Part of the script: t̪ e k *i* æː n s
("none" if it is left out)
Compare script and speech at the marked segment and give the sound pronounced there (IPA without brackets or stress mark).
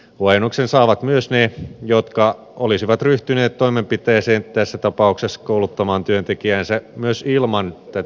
i